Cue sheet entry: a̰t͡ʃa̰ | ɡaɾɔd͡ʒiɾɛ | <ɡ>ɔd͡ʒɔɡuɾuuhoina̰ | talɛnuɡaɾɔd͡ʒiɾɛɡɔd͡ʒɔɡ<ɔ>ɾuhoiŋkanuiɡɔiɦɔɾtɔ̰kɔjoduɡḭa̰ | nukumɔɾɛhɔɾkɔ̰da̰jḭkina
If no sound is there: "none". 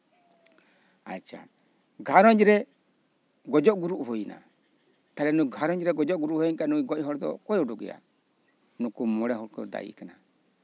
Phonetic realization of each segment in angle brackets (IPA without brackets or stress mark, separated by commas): ɡ, u